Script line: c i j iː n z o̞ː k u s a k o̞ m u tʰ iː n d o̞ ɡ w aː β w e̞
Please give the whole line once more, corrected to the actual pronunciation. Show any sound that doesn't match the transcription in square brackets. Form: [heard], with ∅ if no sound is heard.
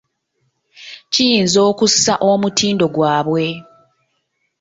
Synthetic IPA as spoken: c i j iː n z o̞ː k u s a [ʔ] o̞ m u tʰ iː n d o̞ ɡ w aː β w e̞